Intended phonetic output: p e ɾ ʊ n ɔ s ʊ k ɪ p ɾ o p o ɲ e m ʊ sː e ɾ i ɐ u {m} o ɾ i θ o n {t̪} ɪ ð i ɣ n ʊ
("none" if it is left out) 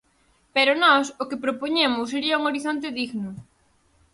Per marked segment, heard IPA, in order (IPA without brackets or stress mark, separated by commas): ŋ, t̪